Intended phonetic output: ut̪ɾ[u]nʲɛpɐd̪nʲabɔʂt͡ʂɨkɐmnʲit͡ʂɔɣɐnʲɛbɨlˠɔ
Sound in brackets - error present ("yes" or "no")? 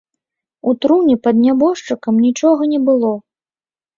no